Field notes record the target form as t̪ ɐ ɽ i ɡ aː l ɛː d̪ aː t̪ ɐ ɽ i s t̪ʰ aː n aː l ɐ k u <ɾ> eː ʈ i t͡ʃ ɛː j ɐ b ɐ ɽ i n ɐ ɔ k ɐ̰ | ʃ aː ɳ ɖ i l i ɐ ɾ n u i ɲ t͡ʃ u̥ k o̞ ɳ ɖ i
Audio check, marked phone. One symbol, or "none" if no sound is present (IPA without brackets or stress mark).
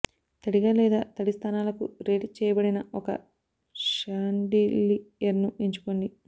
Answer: ɾ